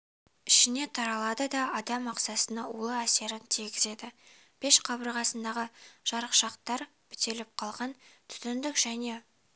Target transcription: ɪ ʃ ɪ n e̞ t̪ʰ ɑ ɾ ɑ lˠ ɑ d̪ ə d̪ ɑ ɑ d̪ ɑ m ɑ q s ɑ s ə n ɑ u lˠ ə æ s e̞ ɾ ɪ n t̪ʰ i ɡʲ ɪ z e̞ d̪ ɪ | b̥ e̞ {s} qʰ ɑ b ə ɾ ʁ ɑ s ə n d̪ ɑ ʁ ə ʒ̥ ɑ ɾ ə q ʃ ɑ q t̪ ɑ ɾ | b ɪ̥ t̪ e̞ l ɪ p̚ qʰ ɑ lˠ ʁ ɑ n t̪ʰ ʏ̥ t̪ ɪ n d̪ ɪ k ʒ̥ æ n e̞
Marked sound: incorrect: ʃ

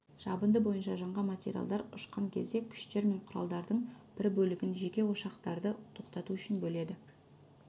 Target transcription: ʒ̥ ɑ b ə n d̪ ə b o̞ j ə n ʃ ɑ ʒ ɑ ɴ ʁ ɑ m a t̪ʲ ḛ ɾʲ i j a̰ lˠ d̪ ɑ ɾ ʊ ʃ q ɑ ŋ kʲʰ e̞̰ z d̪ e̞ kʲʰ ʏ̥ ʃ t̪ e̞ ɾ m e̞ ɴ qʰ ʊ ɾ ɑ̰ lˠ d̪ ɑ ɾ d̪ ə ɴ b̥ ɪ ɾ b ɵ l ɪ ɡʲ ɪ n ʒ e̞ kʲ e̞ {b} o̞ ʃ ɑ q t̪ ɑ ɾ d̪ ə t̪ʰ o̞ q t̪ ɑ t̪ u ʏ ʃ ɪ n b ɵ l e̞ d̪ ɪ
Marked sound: incorrect: w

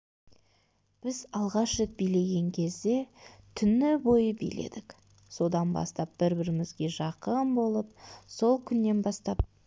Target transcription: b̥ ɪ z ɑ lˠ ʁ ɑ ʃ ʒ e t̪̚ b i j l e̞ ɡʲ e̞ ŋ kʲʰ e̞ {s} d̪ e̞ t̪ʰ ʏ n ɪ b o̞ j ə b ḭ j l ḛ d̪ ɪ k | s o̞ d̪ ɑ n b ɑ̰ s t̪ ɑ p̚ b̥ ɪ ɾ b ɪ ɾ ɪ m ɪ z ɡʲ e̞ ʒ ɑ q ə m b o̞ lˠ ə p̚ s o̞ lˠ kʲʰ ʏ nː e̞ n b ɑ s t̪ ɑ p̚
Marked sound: incorrect: z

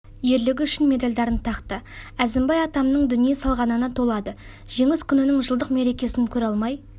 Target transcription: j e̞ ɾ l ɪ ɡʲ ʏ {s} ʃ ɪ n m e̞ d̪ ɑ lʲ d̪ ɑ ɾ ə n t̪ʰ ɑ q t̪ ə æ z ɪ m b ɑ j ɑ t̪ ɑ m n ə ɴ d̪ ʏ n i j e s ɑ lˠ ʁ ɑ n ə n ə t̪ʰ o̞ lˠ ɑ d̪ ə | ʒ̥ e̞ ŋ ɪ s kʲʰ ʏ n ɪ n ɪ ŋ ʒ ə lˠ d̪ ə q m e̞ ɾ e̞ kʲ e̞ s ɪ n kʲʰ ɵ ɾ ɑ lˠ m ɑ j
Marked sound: incorrect: none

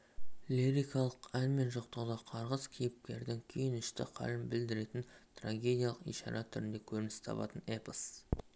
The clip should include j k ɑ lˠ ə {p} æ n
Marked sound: incorrect: q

